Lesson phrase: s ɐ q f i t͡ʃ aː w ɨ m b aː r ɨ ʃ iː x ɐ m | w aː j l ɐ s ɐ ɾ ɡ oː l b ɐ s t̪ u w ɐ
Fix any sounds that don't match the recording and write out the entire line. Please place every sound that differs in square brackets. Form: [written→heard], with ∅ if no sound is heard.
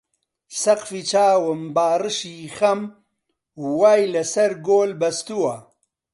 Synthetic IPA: s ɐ q f i t͡ʃ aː w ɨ m b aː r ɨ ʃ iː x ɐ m | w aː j l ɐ s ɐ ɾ ɡ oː l b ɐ s t̪ u w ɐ